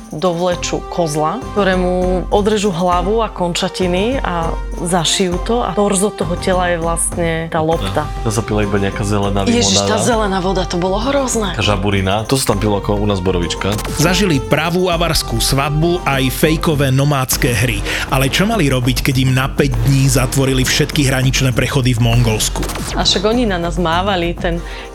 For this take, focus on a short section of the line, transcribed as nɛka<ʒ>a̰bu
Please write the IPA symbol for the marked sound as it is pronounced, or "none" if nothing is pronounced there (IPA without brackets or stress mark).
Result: ʒ